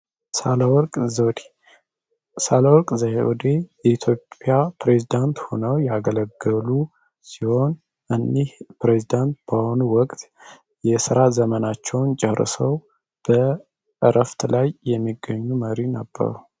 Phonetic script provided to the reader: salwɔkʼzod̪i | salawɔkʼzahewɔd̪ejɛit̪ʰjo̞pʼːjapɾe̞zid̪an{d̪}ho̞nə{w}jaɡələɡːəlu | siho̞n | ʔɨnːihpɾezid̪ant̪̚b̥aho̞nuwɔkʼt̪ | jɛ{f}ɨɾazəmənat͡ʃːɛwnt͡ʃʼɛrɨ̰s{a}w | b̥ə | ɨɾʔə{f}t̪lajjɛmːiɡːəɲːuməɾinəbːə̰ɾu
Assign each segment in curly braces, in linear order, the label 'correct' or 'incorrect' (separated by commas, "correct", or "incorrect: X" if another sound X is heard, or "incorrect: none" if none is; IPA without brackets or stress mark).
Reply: incorrect: t̪, correct, incorrect: s, incorrect: ə, correct